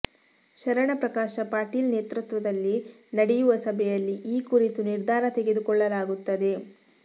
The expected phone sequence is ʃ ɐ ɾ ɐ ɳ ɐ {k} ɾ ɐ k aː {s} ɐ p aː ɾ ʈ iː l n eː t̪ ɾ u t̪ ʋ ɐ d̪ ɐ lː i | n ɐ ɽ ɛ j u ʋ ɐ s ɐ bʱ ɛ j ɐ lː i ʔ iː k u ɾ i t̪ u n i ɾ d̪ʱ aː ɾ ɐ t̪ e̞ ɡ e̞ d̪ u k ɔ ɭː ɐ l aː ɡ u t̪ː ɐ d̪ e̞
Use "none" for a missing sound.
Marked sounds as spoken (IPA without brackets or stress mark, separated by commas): p, ʃ